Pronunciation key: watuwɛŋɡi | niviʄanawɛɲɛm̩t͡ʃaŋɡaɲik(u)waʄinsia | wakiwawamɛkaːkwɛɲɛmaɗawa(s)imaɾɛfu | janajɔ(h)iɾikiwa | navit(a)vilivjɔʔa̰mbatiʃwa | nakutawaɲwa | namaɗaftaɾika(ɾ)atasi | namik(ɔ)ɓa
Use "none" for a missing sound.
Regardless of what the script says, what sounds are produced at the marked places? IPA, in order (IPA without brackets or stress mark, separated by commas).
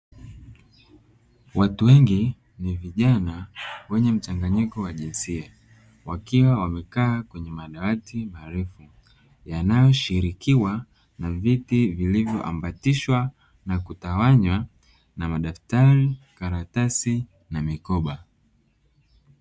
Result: ɔ, t, ʃ, i, ɾ, ɔ